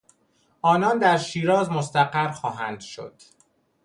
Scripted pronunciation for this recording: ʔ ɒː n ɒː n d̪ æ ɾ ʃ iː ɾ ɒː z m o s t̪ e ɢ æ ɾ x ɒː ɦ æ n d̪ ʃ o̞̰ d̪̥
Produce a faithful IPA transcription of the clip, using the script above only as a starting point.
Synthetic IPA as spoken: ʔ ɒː n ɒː n d̪ æ ɾ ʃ iː ɾ ɒː z m o s t̪ æ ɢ æ ɾ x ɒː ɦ æ n d̪ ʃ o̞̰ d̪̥